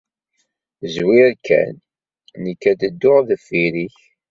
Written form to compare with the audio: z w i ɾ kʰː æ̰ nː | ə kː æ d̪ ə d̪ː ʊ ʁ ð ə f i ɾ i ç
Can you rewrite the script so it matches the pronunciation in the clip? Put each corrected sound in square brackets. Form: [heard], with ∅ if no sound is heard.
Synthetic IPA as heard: z w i ɾ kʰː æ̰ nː | ə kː æ d̪ ə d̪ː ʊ ʁ ð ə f i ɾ i ç